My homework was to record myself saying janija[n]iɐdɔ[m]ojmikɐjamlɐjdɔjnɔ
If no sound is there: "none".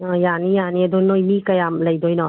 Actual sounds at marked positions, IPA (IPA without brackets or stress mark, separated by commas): n, n